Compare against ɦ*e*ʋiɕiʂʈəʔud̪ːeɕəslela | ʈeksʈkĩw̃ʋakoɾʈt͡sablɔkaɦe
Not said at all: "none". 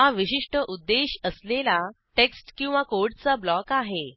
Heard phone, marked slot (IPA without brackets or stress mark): a